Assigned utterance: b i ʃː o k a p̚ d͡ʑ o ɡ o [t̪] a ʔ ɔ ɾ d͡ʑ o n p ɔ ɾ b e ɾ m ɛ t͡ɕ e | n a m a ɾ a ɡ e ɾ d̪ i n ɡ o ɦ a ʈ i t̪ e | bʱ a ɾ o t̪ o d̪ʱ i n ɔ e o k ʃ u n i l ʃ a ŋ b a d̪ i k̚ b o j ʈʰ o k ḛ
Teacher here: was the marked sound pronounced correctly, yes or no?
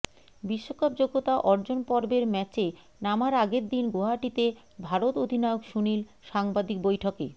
yes